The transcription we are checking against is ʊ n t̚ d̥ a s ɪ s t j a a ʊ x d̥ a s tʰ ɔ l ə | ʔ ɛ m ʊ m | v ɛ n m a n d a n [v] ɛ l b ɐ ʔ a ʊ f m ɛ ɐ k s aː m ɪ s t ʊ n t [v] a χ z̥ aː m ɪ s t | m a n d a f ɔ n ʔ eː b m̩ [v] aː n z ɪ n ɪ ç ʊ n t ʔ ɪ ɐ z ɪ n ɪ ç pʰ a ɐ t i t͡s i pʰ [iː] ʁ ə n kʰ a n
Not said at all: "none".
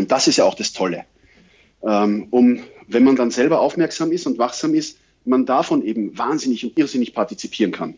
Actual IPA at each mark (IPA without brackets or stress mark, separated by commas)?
z, v, v, iː